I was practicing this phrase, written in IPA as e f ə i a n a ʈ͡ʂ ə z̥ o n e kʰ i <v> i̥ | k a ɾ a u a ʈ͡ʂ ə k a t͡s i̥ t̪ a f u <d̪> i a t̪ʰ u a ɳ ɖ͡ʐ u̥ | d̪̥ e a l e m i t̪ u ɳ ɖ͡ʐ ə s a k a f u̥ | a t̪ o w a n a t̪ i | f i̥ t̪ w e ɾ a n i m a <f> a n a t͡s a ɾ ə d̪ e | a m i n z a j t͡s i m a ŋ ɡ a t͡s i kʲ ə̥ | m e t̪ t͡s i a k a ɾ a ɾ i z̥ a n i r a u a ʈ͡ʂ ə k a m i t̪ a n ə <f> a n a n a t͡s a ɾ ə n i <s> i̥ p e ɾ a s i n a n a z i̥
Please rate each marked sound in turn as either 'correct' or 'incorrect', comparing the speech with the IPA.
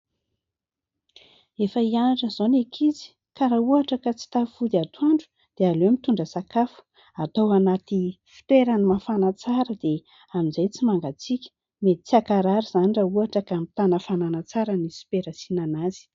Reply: incorrect: z, correct, correct, correct, correct

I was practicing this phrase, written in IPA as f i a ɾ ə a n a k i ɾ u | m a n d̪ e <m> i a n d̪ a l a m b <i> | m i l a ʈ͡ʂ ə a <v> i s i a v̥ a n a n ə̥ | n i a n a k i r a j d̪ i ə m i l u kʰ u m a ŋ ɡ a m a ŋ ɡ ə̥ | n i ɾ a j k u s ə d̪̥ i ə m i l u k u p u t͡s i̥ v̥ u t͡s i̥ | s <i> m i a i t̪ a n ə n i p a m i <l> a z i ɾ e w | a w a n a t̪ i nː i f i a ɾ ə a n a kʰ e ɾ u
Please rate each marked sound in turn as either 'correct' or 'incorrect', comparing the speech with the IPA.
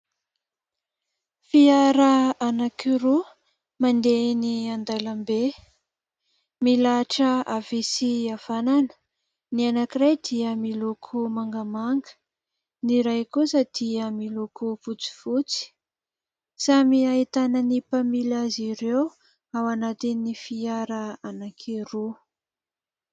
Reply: incorrect: n, incorrect: e, correct, incorrect: a, correct

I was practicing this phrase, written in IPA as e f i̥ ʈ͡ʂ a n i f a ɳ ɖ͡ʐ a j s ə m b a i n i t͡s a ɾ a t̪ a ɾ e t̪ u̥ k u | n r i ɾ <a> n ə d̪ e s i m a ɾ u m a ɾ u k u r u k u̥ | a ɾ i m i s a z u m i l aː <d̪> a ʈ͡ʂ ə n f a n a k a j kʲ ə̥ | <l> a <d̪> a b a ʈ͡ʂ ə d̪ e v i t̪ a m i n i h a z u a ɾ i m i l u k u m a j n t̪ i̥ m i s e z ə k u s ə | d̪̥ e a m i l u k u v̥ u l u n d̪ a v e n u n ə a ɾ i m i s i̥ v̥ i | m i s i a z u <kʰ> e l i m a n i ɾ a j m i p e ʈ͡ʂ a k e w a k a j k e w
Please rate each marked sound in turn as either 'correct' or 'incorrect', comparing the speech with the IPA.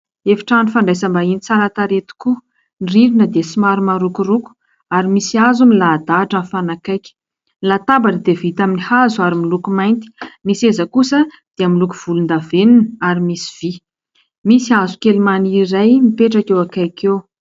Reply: incorrect: i, correct, correct, incorrect: t̪, incorrect: k

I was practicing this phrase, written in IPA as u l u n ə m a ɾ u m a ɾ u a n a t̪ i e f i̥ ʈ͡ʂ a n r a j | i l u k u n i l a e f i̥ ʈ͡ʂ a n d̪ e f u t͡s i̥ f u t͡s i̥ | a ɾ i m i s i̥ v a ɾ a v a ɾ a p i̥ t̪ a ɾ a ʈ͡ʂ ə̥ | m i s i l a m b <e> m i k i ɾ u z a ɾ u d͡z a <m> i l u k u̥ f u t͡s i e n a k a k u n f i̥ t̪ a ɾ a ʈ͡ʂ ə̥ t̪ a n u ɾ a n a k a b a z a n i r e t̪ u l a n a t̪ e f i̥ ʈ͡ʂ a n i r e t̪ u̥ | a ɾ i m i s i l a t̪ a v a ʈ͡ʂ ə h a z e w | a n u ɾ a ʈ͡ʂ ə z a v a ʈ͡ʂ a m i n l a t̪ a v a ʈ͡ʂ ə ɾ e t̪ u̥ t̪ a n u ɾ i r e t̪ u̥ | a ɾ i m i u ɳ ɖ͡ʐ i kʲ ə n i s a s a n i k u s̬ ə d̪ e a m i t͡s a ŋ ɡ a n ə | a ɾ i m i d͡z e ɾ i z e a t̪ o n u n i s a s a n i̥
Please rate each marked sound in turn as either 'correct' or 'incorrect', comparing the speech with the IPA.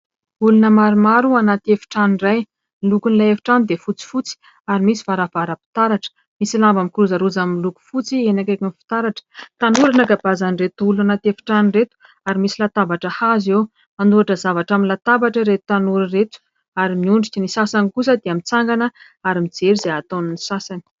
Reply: incorrect: a, correct

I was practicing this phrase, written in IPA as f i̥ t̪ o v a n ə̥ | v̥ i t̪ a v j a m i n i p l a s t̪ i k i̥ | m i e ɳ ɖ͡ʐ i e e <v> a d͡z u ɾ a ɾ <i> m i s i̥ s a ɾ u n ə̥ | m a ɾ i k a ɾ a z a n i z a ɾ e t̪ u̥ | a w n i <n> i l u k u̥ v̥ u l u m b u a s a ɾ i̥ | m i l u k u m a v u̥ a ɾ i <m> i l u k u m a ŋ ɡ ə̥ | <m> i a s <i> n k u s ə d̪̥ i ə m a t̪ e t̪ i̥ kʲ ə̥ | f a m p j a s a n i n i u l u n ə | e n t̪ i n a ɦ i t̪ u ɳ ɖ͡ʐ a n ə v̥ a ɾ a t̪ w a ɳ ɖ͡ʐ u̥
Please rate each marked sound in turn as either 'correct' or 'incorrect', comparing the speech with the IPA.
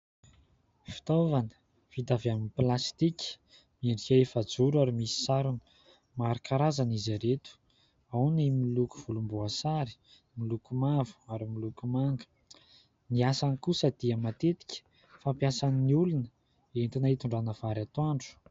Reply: incorrect: f, correct, incorrect: m, correct, incorrect: n, incorrect: a

